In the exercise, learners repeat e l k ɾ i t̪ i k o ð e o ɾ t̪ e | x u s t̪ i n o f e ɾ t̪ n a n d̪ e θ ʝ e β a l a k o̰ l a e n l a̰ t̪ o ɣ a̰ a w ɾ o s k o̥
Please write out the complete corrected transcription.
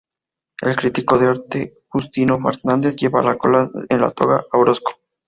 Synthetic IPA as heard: e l k ɾ i t̪ i k o ð e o ɾ t̪ e | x u s t̪ i n o f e ɾ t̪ n a n d̪ e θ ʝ e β a l a k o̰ l a e n l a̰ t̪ o ɣ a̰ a w ɾ o s k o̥